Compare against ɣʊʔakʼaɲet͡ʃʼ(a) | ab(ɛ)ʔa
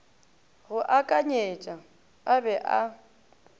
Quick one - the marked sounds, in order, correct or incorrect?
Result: correct, correct

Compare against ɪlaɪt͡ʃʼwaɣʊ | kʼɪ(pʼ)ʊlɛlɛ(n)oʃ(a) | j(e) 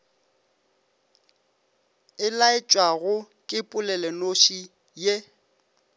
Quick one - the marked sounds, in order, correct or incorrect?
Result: correct, correct, incorrect: i, correct

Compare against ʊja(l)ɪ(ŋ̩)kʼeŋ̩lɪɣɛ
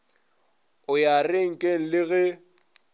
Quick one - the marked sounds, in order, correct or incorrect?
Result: incorrect: r, correct

